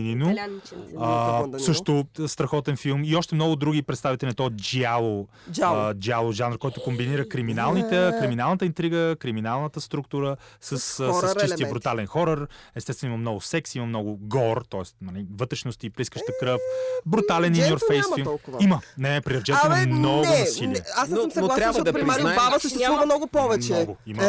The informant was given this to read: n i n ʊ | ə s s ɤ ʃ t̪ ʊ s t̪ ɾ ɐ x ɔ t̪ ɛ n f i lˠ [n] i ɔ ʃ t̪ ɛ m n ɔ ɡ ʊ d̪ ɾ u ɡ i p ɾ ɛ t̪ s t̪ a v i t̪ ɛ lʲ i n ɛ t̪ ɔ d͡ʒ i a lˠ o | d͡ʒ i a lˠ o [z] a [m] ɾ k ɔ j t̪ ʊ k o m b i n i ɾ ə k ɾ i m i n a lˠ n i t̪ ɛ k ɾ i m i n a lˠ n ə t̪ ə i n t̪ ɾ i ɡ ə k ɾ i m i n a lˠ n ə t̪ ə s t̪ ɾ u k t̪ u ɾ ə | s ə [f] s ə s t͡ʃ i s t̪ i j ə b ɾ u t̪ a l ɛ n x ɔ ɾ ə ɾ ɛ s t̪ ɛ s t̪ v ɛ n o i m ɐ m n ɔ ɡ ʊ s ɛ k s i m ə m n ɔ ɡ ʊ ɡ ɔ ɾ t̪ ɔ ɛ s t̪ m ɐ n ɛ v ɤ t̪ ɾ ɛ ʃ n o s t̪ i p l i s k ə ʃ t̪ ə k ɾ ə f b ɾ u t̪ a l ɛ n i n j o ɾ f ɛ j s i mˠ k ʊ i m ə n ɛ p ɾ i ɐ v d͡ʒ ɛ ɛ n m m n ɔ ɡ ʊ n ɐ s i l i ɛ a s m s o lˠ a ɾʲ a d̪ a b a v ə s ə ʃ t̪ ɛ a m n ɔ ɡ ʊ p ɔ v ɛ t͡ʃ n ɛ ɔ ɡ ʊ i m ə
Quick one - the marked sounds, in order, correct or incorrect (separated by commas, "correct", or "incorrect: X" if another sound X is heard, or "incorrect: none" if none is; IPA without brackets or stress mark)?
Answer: incorrect: m, incorrect: ʒ, incorrect: n, incorrect: s